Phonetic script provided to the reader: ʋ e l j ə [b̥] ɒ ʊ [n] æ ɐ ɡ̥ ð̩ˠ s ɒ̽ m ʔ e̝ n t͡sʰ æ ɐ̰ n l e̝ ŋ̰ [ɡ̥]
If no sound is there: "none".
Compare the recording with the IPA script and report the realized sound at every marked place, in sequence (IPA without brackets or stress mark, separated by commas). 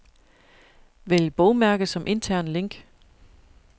b̥, m, ɡ̥